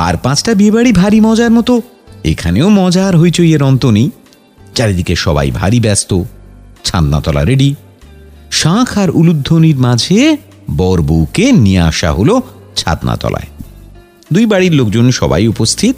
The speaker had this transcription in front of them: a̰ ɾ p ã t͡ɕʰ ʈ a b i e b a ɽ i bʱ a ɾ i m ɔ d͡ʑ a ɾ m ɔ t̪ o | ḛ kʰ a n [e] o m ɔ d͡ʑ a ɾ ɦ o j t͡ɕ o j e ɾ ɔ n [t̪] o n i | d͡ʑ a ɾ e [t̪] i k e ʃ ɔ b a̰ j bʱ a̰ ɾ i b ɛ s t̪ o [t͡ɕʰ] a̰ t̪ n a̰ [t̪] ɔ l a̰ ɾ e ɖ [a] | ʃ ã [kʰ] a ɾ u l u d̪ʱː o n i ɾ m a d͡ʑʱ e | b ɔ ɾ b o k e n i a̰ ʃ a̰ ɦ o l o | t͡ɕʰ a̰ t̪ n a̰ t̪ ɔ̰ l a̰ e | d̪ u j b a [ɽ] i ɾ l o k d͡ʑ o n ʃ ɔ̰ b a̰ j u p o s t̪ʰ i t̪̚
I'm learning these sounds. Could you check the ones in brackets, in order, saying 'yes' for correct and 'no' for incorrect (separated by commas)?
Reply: yes, yes, no, yes, yes, no, yes, yes